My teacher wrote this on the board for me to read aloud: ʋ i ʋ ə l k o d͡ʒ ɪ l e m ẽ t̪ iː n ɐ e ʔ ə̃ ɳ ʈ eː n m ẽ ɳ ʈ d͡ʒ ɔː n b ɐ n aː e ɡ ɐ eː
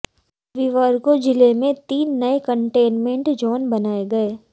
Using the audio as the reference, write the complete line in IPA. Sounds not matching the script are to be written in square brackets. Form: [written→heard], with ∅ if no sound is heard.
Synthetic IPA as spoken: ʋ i ʋ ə [l→ɾ] k o d͡ʒ ɪ l e m ẽ t̪ iː [n→nː] ɐ e [ʔ→k] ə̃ ɳ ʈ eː n m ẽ ɳ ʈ d͡ʒ ɔː n b ɐ n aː e ɡ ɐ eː